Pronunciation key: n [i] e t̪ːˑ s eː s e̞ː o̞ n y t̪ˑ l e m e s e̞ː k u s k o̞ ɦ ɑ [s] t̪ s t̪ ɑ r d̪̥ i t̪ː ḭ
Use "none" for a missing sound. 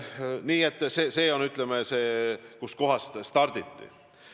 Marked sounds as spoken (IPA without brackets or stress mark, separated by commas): iː, s